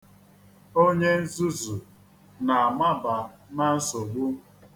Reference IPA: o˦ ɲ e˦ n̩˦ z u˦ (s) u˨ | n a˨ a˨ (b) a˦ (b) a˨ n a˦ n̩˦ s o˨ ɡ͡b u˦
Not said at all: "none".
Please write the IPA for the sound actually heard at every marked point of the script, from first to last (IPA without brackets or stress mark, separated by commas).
z, m, b